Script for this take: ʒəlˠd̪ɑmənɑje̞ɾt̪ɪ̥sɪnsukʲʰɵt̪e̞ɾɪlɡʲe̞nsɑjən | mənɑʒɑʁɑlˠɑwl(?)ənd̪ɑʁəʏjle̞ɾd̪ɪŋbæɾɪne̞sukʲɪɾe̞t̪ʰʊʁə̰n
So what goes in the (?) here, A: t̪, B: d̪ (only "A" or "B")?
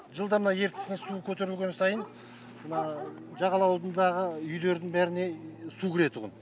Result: B